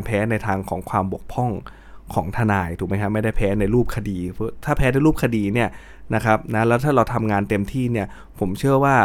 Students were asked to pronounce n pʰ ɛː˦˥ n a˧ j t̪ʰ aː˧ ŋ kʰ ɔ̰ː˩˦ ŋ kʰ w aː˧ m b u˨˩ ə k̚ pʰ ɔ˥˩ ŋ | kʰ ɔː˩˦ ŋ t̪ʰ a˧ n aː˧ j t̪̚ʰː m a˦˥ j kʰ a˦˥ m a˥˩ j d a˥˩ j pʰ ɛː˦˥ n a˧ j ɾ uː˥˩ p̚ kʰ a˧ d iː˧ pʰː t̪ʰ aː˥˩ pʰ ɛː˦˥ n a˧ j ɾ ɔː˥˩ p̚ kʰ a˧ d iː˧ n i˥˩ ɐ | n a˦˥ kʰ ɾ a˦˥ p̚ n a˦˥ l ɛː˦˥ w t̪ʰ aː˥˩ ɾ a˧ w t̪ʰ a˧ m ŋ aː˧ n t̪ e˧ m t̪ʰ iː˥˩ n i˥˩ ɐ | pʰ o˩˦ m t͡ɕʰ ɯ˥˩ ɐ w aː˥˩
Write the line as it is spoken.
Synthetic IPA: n pʰ ɛː˦˥ n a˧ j t̪ʰ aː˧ ŋ kʰ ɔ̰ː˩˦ ŋ kʰ w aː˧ m b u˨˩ ə k̚ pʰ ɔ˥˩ ŋ | kʰ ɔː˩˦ ŋ t̪ʰ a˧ n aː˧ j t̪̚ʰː m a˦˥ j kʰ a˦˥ m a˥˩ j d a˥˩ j pʰ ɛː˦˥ n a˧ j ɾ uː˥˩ p̚ kʰ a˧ d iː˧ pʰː t̪ʰ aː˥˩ pʰ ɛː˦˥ n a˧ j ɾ uː˥˩ p̚ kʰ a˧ d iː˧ n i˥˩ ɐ | n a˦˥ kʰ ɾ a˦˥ p̚ n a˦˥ l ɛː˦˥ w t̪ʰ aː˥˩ ɾ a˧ w t̪ʰ a˧ m ŋ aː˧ n t̪ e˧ m t̪ʰ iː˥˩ n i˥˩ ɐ | pʰ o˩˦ m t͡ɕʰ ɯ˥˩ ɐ w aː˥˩